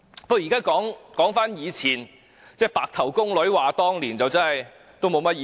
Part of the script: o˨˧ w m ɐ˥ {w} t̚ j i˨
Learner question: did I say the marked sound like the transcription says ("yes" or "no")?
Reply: no